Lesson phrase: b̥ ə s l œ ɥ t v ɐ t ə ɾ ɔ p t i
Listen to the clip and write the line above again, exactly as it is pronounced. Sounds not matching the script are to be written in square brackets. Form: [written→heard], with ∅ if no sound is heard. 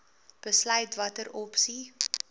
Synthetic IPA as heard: b̥ ə s l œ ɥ t v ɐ t ə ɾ ɔ p [t→s] i